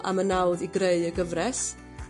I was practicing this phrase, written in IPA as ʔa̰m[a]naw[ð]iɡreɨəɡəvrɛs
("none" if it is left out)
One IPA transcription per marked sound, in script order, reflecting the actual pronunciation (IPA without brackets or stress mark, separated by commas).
ə, ð